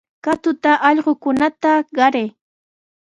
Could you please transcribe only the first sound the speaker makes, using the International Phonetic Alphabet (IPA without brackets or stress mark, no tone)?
k